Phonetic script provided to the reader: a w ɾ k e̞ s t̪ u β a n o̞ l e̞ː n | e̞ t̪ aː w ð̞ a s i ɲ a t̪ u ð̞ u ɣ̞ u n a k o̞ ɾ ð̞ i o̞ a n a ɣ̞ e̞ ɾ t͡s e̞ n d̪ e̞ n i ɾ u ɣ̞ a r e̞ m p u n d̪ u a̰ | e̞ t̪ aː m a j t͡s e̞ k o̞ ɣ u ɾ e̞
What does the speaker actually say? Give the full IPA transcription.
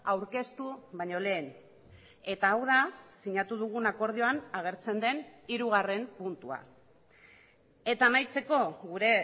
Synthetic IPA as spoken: a w ɾ k e̞ s t̪ u β a ɲ o̞ l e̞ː n | e̞ t̪ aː w ð̞ a s i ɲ a t̪ u ð̞ u ɣ̞ u n a k o̞ ɾ ð̞ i o̞ a n a ɣ̞ e̞ ɾ t͡s e̞ n d̪ e̞ n i ɾ u ɣ̞ a r e̞ m p u n t̪ u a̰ | e̞ t̪ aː m a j t͡s e̞ k o̞ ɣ u ɾ e̞